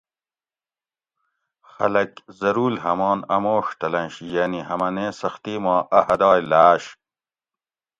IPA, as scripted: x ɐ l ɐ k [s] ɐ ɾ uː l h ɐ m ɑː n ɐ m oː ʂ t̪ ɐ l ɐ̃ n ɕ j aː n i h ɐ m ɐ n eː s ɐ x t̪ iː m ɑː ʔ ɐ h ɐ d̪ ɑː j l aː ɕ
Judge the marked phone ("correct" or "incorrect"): incorrect